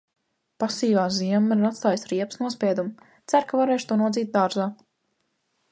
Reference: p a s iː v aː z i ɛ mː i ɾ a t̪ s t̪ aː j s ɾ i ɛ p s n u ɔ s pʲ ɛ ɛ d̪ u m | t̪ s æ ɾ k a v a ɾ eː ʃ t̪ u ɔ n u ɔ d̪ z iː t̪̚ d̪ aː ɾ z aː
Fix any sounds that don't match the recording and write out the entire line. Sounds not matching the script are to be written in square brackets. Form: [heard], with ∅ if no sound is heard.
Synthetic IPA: p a s iː v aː z i ɛ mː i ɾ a t̪ s t̪ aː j s ɾ i ɛ p s n u ɔ s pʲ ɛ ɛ d̪ u m | t̪ s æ ɾ k a v a ɾ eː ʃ t̪ u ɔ n u ɔ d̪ z iː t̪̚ d̪ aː ɾ z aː